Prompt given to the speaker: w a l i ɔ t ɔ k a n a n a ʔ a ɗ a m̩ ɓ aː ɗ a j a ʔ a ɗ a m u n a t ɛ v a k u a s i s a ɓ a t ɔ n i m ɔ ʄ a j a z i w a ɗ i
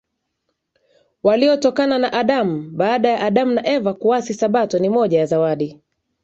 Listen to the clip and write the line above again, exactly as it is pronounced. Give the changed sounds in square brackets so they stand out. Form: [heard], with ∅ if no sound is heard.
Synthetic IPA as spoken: w a l i ɔ t ɔ k a n a n a ʔ a ɗ a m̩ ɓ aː ɗ a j a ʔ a ɗ a m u n a [ʔ] ɛ v a k u a s i s a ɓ a t ɔ n i m ɔ ʄ a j a z [a] w a ɗ i

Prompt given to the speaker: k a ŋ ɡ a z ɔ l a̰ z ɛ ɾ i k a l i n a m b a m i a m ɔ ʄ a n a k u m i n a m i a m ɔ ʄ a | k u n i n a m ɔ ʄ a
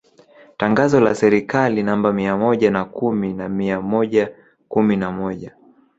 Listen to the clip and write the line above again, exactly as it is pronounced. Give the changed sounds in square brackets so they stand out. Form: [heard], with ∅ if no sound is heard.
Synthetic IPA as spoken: [t] a ŋ ɡ a z ɔ l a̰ [s] ɛ ɾ i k a l i n a m b a m i a m ɔ ʄ a n a k u m i n a m i a m ɔ ʄ a | k u [m] i n a m ɔ ʄ a

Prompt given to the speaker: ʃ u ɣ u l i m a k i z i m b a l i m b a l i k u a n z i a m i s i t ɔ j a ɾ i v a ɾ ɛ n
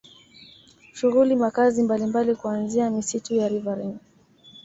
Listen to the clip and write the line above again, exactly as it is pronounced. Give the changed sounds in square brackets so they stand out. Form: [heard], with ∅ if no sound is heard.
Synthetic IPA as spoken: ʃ u ɣ u l i m a k [a] z i m b a l i m b a l i k u a n z i a m i s i t [u] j a ɾ i v a ɾ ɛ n

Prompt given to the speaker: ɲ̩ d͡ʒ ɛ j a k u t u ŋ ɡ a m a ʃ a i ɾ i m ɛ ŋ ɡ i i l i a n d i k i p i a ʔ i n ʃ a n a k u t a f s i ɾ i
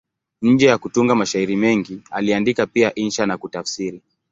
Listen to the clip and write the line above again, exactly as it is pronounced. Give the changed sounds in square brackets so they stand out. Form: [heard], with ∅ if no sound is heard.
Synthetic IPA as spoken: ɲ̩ d͡ʒ ɛ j a k u t u ŋ ɡ a m a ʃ a i ɾ i m ɛ ŋ ɡ i [a] l i a n d i k [a] p i a ʔ i n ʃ a n a k u t a f s i ɾ i

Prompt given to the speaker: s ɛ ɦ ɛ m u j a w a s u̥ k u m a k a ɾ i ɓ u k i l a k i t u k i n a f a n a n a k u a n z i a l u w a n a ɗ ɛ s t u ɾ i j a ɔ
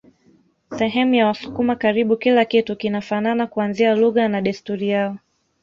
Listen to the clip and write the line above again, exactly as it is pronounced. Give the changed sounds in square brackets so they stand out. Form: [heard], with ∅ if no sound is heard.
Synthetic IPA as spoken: s ɛ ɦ ɛ m u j a w a s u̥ k u m a k a ɾ i ɓ u k i l a k i t u k i n a f a n a n a k u a n z i a l u [ɣ] a n a ɗ ɛ s t u ɾ i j a ɔ

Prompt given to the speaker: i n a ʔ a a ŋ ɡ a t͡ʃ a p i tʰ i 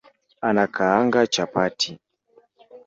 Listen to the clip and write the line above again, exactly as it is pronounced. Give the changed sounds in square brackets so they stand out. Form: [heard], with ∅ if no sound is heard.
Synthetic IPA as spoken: [a] n a [k] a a ŋ ɡ a t͡ʃ a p [a] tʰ i

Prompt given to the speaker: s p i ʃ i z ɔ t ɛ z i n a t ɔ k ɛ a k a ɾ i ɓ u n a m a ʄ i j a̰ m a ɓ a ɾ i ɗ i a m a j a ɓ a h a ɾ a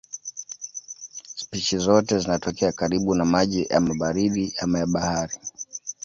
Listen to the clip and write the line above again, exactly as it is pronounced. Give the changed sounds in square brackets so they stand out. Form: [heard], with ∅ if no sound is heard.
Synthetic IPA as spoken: s p i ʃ i z ɔ t ɛ z i n a t ɔ k ɛ a k a ɾ i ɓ u n a m a ʄ i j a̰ m a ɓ a ɾ i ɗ i a m a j a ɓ a h a ɾ [i]

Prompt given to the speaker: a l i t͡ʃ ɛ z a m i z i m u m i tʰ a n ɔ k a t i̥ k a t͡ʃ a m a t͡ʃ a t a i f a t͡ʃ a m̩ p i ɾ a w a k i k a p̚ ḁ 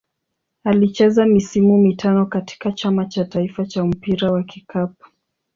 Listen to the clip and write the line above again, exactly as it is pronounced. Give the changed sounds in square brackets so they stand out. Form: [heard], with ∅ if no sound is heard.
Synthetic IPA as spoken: a l i t͡ʃ ɛ z a m i [s] i m u m i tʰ a n ɔ k a t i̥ k a t͡ʃ a m a t͡ʃ a t a i f a t͡ʃ a m̩ p i ɾ a w a k i k a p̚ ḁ

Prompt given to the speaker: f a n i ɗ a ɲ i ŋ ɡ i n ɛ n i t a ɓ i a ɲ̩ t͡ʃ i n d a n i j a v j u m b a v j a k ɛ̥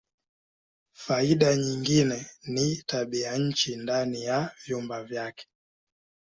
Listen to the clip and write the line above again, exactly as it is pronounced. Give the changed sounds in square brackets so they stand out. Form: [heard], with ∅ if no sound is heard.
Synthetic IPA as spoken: f a [∅] i ɗ a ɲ i ŋ ɡ i n ɛ n i t a ɓ i a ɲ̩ t͡ʃ i n d a n i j a v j u m b a v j a k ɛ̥

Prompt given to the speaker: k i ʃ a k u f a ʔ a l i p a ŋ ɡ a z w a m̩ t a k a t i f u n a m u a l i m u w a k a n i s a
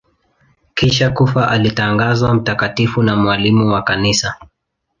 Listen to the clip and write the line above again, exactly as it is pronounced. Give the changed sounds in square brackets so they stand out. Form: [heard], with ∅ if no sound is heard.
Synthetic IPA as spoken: k i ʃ a k u f a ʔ a l i [t] a ŋ ɡ a z w a m̩ t a k a t i f u n a m [w] a l i m u w a k a n i s a

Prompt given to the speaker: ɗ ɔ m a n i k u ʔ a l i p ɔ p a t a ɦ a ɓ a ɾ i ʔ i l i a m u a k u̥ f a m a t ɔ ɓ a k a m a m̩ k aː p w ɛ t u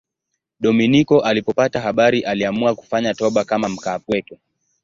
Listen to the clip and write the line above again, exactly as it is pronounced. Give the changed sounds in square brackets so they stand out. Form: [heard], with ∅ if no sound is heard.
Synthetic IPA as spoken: ɗ ɔ m [i] n i k [ɔ] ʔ a l i p ɔ p a t a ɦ a ɓ a ɾ i ʔ [a] l i a m u a k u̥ f a [ɲ] a t ɔ ɓ a k a m a m̩ k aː p w ɛ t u

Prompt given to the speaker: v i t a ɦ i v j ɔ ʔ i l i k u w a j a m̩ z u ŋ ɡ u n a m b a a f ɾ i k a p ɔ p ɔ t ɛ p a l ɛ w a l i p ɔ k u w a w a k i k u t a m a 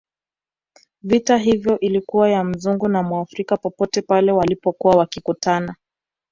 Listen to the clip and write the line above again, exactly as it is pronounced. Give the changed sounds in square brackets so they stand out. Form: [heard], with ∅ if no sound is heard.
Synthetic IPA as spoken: v i t a ɦ i v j ɔ ʔ i l i k u w a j a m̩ z u ŋ ɡ u n a m [w] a a f ɾ i k a p ɔ p ɔ t ɛ p a l ɛ w a l i p ɔ k u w a w a k i k u t a [n] a

